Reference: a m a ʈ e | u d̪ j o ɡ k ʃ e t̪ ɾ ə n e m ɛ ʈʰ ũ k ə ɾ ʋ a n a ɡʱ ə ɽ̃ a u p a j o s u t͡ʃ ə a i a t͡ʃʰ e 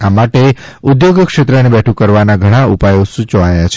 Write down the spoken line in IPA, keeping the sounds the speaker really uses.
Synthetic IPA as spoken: a m a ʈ e | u d̪ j o ɡ k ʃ e t̪ ɾ ə n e b ɛ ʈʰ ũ k ə ɾ ʋ a n a ɡʱ ə ɽ̃ a u p a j o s u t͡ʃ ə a j a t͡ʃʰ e